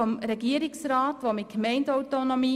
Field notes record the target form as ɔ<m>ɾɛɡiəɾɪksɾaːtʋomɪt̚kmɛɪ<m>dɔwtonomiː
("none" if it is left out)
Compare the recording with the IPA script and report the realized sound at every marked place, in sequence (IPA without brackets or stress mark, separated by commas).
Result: m, n